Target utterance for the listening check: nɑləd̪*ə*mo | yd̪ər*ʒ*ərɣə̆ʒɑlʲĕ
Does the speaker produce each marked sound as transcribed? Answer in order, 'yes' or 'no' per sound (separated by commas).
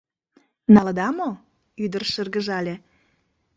no, no